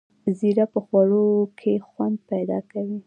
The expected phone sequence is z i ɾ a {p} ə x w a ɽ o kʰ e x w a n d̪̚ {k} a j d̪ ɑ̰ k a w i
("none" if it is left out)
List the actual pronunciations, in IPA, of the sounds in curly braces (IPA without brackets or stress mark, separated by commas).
p, p